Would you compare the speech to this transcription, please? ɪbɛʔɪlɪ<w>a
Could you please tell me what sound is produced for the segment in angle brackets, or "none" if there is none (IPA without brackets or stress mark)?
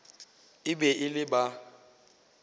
b